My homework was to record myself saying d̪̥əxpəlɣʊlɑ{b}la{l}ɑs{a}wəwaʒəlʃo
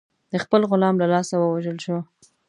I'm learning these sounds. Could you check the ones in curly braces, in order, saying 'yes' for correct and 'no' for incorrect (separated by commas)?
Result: no, yes, yes